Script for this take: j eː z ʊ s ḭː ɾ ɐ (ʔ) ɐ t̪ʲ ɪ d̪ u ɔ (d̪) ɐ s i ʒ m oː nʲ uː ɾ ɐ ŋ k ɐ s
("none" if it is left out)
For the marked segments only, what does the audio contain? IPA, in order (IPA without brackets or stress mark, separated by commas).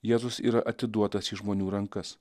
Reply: ʔ, t̪